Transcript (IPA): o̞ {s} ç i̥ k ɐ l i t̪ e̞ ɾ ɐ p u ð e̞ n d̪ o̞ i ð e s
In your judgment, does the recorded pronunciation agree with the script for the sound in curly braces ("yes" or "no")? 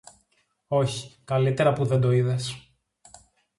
no